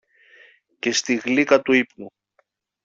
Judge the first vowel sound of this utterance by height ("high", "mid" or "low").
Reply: mid